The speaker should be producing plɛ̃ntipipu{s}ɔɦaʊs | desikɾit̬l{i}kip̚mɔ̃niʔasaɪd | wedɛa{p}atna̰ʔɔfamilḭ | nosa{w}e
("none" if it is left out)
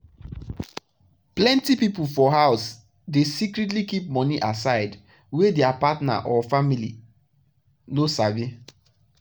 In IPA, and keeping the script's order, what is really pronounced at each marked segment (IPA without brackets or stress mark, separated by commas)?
f, i, p, v